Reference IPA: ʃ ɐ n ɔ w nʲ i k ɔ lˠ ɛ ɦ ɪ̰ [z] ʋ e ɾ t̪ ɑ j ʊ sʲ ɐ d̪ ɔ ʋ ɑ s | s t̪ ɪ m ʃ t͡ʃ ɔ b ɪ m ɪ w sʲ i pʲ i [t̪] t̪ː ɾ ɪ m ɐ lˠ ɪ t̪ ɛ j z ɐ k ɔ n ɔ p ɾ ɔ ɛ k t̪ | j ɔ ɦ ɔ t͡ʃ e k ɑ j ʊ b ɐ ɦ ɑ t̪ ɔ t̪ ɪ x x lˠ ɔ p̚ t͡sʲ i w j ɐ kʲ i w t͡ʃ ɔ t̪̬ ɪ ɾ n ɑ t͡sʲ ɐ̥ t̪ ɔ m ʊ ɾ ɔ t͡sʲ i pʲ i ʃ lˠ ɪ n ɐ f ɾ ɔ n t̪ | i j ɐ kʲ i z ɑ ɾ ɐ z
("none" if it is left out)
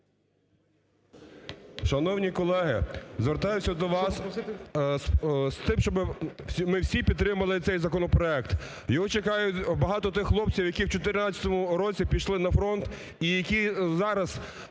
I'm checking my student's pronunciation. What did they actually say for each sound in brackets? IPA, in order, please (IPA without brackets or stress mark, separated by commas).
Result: z, d̪